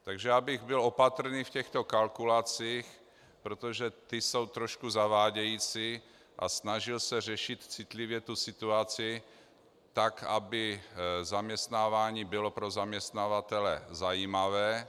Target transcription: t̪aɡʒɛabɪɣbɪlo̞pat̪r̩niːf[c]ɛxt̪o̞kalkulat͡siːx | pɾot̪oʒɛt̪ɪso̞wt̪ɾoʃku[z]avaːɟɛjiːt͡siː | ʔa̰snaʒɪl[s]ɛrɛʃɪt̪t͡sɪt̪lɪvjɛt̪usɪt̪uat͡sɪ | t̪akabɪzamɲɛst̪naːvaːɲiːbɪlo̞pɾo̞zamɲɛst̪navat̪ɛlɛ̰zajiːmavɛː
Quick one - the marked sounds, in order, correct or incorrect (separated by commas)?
correct, correct, correct